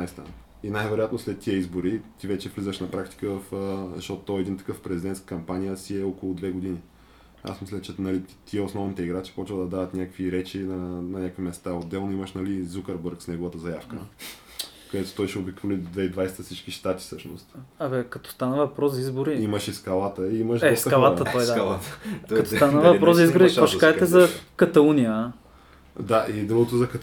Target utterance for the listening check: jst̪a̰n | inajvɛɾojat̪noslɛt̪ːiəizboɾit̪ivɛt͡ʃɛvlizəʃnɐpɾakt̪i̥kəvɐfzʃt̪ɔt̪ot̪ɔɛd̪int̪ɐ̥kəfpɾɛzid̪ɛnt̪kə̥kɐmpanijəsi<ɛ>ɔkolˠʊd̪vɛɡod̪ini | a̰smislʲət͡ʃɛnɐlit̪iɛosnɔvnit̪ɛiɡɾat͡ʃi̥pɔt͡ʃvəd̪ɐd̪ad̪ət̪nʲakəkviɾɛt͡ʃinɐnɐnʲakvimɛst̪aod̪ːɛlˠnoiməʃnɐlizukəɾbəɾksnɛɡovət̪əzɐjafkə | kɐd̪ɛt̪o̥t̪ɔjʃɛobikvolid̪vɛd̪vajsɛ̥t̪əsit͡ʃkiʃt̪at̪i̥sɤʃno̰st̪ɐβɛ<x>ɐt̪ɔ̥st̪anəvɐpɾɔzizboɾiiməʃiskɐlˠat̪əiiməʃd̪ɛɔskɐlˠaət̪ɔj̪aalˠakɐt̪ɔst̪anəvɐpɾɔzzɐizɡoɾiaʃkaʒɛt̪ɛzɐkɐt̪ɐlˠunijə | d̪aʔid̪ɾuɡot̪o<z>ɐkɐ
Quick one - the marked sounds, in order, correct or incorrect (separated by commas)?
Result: correct, incorrect, correct